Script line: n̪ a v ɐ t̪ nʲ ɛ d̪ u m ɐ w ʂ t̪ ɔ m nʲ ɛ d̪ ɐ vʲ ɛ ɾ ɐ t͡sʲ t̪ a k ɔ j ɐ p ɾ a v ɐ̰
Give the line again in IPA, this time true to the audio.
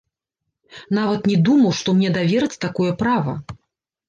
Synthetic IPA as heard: n̪ a v ɐ t̪ nʲ ɛ d̪ u m ɐ w ʂ t̪ ɔ m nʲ ɛ d̪ a vʲ ɛ ɾ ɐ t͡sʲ t̪ a k ɔ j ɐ p ɾ a v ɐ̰